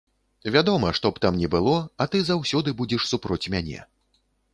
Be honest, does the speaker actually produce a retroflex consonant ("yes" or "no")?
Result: yes